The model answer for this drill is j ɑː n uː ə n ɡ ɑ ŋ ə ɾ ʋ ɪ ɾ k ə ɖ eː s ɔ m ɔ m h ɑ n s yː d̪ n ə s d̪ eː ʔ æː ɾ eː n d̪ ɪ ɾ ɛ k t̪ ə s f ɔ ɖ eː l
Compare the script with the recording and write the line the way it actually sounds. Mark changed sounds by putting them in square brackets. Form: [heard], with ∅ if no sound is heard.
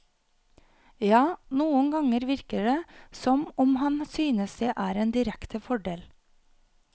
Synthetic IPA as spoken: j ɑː n uː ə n ɡ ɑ ŋ ə ɾ ʋ ɪ ɾ k ə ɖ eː s ɔ m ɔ m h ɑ n s yː [∅] n ə s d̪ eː ʔ æː ɾ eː n d̪ ɪ ɾ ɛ k t̪ ə [∅] f ɔ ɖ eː l